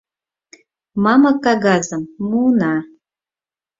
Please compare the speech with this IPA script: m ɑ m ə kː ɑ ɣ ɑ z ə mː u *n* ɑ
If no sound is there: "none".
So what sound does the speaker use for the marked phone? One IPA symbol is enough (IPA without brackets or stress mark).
n